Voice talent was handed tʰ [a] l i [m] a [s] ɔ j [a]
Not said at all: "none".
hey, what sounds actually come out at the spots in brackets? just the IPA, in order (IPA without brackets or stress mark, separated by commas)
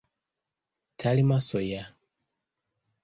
a, m, s, a